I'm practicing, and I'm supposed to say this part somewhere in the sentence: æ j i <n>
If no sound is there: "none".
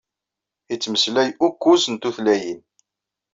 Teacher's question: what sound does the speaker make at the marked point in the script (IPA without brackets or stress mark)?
n